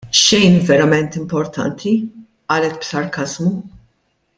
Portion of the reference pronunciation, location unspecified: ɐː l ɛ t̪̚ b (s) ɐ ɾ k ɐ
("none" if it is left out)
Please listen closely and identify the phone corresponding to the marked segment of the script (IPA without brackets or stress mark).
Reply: s